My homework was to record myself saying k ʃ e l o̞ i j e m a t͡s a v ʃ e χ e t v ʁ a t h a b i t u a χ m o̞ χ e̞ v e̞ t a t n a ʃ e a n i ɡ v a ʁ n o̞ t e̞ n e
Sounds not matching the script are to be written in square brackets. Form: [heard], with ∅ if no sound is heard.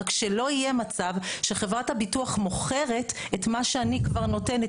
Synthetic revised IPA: k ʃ e l o̞ i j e m a t͡s a v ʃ e χ e [∅] v ʁ a t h a b i t u a χ m o̞ χ e̞ [ʁ] e̞ t [e] t [m] a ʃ e a n i [k] v a ʁ n o̞ t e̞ n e